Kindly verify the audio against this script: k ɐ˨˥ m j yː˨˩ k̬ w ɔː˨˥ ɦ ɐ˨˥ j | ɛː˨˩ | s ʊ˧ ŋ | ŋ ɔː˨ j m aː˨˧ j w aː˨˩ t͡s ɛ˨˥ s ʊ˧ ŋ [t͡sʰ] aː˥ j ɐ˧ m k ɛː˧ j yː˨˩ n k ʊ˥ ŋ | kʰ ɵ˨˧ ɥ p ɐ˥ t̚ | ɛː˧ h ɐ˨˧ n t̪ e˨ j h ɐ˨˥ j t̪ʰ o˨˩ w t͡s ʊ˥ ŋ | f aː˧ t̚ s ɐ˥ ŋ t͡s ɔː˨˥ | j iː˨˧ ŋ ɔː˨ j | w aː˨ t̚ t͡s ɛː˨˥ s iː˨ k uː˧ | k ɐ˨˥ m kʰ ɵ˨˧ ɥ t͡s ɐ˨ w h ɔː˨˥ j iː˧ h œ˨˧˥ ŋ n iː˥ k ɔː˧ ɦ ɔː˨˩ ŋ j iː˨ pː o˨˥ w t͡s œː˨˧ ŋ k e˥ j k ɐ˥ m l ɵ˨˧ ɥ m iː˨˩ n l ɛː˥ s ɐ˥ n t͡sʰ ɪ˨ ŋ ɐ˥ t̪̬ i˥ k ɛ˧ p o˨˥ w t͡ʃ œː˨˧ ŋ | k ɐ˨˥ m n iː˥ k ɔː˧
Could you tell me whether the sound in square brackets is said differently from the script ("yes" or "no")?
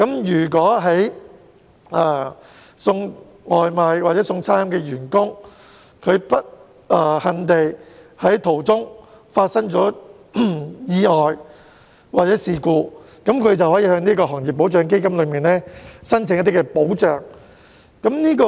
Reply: no